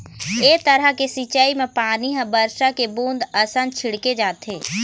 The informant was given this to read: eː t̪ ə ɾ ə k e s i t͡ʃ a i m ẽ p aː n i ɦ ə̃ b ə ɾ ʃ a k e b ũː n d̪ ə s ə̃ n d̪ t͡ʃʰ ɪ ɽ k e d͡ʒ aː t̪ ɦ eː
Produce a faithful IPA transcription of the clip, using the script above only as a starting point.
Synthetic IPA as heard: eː t̪ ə ɾ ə k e s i t͡ʃ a i m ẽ p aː n i ɦ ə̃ b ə ɾ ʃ a k e b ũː n d̪ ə s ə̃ n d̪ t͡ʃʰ ɪ ɽ k e d͡ʒ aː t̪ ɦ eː